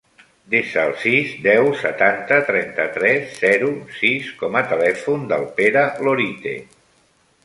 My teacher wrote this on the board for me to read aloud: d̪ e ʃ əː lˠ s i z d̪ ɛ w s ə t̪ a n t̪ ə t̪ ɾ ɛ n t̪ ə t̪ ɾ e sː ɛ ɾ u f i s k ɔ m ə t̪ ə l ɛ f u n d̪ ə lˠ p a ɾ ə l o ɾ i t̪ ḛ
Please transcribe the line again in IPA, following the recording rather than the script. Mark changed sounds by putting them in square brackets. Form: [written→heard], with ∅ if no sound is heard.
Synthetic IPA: d̪ e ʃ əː lˠ s i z d̪ ɛ w s ə t̪ a n t̪ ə t̪ ɾ ɛ n t̪ ə t̪ ɾ [e→ɛ] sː ɛ ɾ u [f→s] i s k ɔ m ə t̪ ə l ɛ f u n d̪ ə lˠ p [a→e] ɾ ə l o ɾ i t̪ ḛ